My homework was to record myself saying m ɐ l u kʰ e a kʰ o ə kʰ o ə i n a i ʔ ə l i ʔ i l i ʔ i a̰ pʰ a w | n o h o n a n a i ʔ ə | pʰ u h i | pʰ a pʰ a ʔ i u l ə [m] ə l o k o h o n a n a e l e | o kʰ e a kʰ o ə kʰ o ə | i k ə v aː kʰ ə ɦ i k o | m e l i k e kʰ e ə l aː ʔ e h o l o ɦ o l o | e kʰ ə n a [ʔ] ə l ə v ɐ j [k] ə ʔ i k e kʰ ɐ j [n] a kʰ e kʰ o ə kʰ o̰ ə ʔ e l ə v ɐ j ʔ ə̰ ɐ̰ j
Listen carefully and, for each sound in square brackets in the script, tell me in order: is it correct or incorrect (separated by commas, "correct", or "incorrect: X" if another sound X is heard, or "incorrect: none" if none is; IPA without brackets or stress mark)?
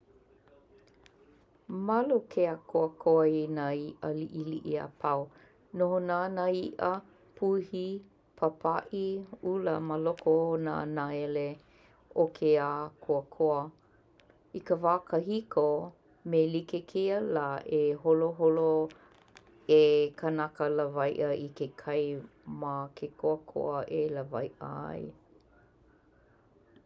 correct, incorrect: k, incorrect: ʔ, incorrect: m